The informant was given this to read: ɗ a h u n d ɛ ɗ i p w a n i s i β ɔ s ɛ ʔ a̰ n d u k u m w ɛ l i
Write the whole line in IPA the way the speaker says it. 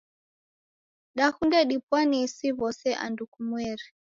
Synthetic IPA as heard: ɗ a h u n d ɛ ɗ i p w a n i s i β ɔ s ɛ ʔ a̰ n d u k u m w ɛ ɾ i

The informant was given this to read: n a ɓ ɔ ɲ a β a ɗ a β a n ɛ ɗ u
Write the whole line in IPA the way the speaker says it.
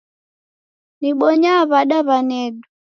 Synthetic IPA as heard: n i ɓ ɔ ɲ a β a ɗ a β a n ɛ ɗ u

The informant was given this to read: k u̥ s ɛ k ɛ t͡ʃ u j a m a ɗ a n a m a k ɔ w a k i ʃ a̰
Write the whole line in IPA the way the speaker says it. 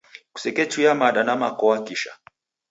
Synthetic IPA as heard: k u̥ s ɛ k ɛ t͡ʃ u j a m a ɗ a n a m a k ɔ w a k i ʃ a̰

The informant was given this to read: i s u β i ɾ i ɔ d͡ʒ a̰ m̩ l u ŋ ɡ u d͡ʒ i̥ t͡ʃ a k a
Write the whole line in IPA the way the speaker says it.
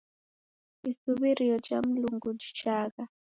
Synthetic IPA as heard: i s u β i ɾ i ɔ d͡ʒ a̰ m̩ l u ŋ ɡ u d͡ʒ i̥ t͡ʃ a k a

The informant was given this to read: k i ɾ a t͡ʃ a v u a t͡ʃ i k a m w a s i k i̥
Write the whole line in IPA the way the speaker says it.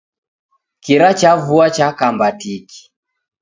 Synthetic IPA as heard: k i ɾ a t͡ʃ a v u a t͡ʃ a k a m b a t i k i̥

